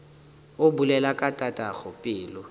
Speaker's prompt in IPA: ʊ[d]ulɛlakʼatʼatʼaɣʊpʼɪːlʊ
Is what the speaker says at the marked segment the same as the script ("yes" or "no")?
no